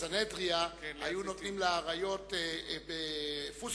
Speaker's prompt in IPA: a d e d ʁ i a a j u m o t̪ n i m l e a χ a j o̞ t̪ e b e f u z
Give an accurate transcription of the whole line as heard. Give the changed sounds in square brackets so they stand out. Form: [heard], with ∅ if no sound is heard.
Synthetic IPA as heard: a [n] e d ʁ i a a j u [n] o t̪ n i m l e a [ʁ] a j o̞ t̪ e b e f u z